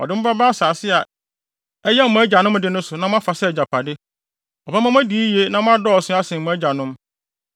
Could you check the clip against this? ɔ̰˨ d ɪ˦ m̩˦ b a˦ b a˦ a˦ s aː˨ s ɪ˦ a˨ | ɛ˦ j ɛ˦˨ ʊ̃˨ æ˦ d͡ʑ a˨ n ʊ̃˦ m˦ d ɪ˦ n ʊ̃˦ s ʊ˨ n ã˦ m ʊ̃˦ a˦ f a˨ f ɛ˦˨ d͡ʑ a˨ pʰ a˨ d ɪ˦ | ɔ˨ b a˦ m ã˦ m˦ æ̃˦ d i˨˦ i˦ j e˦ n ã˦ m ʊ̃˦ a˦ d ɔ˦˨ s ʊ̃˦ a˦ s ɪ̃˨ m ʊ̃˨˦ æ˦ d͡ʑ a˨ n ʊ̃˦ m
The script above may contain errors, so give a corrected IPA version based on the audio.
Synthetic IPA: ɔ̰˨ d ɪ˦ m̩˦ b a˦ b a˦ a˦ s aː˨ s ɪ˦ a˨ | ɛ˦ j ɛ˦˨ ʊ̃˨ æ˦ d͡ʑ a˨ n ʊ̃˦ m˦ d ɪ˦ n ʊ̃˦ s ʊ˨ n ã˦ m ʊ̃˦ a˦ f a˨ s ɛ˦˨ d͡ʑ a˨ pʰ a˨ d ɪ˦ | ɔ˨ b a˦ m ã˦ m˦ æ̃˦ d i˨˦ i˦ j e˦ n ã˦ m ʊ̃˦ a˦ d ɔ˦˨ s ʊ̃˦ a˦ s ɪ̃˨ m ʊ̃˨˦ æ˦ d͡ʑ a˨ n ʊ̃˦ m